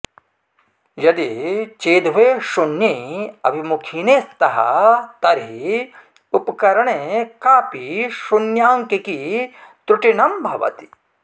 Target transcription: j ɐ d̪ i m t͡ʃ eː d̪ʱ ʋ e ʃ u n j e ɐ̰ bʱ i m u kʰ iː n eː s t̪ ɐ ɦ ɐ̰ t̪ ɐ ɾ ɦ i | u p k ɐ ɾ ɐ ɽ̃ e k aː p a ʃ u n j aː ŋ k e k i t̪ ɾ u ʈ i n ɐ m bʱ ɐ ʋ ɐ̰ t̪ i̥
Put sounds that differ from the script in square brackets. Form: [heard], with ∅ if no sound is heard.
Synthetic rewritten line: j ɐ d̪ i [∅] t͡ʃ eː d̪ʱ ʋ e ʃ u n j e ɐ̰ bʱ i m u kʰ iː n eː s t̪ ɐ ɦ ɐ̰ t̪ ɐ ɾ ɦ i | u p k ɐ ɾ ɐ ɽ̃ e k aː p [i] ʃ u n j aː ŋ k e k i t̪ ɾ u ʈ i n ɐ m bʱ ɐ ʋ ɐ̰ t̪ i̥